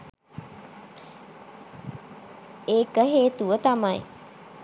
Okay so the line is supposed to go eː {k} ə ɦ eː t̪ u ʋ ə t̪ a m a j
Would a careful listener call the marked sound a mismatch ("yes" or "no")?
no